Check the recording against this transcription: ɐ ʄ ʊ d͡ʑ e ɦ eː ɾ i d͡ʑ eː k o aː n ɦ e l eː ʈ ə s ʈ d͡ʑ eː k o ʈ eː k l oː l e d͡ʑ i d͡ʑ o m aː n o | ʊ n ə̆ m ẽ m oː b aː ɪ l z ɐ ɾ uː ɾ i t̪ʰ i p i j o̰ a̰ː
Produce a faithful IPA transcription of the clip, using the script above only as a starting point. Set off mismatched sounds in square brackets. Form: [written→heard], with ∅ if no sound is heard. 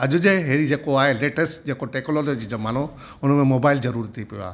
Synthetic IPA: ɐ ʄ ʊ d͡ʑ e ɦ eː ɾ i d͡ʑ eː k o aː [n→∅] ɦ e l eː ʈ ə s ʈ d͡ʑ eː k o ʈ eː k l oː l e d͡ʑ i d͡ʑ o m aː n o | ʊ n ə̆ m ẽ m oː b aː ɪ l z ɐ ɾ uː ɾ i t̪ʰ i p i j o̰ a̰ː